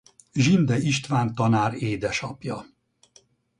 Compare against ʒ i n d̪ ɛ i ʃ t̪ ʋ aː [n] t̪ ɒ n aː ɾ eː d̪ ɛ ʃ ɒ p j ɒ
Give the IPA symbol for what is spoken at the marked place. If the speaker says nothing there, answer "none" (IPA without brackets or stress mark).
n